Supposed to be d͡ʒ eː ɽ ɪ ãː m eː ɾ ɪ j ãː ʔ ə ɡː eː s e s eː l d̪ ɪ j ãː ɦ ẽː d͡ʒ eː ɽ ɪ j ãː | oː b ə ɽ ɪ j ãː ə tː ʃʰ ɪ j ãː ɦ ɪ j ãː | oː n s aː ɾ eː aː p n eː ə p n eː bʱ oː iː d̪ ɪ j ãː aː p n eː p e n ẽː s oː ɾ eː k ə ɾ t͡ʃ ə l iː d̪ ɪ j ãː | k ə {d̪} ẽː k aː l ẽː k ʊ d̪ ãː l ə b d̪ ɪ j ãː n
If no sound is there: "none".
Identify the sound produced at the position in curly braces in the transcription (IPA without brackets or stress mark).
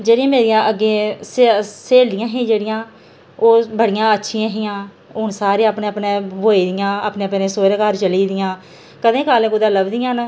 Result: d̪